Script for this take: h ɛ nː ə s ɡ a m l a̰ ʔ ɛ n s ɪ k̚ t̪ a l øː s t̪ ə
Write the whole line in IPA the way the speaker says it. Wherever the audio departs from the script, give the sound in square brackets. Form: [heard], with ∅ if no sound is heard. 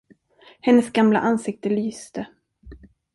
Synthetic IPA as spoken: h ɛ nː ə s ɡ a m l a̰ ʔ [a] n s ɪ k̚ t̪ [ə] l [yː] s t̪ ə